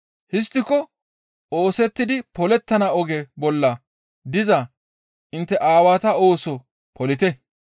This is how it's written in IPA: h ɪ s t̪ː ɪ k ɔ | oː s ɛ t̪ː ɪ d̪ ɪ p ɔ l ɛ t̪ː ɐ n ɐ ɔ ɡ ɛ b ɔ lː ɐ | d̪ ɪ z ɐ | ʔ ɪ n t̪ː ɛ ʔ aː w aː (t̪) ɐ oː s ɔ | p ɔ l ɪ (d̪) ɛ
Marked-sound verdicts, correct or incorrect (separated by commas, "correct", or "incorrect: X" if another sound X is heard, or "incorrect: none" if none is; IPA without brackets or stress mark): correct, incorrect: t̪